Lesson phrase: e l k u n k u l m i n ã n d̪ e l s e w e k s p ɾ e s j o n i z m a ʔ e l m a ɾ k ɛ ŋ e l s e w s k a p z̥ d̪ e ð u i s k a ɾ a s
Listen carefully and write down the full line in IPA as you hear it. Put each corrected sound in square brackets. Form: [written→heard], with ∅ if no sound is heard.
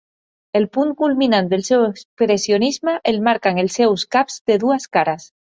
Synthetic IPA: e l [k→p] u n k u l m i n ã n d̪ e l s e w e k s p ɾ e s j o n i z m a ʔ e l m a ɾ k [ɛ→a] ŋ e l s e w s k a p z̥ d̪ e ð u [i→a] s k a ɾ a s